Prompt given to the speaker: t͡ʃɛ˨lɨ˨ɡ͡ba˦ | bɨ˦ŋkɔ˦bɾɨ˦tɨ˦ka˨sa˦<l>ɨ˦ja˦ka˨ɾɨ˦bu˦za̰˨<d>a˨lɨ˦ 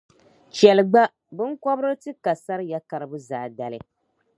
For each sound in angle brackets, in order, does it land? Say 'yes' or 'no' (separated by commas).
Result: no, yes